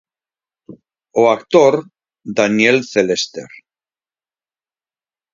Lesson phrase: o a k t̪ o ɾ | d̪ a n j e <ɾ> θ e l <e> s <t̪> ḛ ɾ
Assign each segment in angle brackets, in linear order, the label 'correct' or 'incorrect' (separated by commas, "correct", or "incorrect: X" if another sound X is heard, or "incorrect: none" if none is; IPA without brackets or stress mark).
incorrect: l, correct, correct